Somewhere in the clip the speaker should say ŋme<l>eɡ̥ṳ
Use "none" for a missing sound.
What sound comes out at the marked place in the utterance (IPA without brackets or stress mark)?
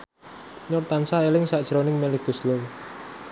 l